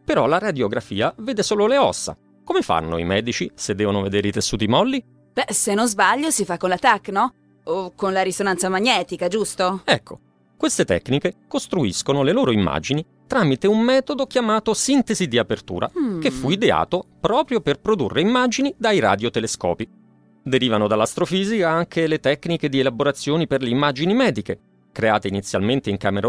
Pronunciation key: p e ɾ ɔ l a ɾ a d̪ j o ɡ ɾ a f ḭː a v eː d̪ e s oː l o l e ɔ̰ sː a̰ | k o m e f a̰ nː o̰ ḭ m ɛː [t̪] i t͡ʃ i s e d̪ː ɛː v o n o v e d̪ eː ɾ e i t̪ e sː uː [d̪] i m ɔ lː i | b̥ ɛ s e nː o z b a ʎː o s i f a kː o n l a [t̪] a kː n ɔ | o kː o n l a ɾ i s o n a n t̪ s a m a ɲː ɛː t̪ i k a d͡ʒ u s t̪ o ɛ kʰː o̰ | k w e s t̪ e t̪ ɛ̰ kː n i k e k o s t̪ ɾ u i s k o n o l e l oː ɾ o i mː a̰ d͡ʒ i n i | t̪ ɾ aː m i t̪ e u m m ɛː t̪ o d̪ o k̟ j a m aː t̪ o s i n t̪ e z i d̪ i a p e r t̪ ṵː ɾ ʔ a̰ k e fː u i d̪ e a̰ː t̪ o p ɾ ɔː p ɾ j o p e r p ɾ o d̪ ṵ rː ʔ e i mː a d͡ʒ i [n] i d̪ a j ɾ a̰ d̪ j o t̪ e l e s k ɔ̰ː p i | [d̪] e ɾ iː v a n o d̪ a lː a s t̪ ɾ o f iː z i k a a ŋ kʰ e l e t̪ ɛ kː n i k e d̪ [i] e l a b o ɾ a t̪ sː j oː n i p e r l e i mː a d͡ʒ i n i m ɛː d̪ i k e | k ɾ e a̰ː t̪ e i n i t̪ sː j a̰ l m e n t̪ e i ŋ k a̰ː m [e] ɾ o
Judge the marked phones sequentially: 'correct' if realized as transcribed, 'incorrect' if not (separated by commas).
incorrect, incorrect, correct, correct, correct, correct, correct